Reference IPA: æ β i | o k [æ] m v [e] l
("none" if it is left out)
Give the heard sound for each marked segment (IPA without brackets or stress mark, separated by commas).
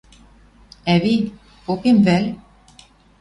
e, æ